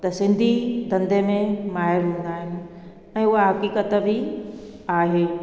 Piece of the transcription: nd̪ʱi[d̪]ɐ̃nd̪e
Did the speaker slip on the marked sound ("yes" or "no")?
no